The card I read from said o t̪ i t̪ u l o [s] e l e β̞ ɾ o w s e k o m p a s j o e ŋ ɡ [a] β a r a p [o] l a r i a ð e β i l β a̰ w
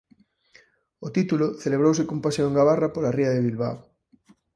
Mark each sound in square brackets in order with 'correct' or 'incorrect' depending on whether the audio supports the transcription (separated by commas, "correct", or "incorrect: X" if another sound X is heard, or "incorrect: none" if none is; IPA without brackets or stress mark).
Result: incorrect: θ, correct, correct